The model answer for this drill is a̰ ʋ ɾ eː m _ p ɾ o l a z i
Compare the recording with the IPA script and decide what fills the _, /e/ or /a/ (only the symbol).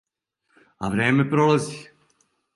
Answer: e